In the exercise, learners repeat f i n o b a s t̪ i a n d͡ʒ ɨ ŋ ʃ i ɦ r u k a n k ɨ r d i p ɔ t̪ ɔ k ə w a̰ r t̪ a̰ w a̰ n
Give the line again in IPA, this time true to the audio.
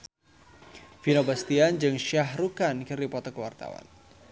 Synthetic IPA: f i n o b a s t̪ i a n d͡ʒ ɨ ŋ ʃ a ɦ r u k a n k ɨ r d i p ɔ t̪ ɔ k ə w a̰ r t̪ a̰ w a̰ n